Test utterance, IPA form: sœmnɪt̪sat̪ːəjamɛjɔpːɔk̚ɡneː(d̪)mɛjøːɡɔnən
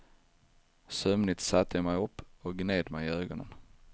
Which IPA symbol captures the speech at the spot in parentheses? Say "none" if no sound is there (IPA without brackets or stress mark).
d̪